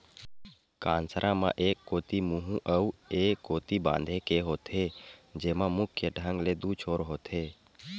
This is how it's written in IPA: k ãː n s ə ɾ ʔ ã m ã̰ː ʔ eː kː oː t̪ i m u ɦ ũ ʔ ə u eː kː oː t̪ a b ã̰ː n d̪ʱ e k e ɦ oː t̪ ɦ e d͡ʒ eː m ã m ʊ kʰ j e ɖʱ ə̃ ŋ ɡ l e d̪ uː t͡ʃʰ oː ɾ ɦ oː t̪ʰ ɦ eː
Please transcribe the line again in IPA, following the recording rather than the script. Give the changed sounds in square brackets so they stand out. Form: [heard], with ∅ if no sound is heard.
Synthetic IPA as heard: k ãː n s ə ɾ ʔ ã m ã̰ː ʔ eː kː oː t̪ i m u ɦ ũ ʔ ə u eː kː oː t̪ [i] b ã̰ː n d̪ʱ e k e ɦ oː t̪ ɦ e d͡ʒ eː m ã m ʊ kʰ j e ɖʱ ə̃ ŋ ɡ l e d̪ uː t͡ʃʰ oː ɾ ɦ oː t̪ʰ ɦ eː